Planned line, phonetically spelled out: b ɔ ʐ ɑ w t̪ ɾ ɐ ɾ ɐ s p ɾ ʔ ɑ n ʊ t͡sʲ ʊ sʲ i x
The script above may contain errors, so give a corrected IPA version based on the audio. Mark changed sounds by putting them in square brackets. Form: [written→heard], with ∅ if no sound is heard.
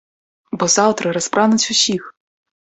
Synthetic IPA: b ɔ [ʐ→z] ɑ w t̪ ɾ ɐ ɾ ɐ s p ɾ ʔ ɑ n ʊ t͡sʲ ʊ sʲ i x